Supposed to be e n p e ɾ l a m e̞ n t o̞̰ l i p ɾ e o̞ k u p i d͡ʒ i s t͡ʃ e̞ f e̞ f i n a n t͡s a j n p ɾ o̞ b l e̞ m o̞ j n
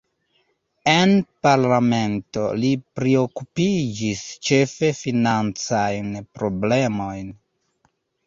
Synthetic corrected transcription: e n p a ɾ l a m e̞ n t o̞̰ l i p ɾ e o̞ k u p i d͡ʒ i s t͡ʃ e̞ f e̞ f i n a n t͡s a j n p ɾ o̞ b l e̞ m o̞ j n